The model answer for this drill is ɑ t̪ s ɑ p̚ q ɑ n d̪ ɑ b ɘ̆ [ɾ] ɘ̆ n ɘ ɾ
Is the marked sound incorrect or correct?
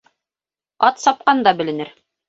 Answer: incorrect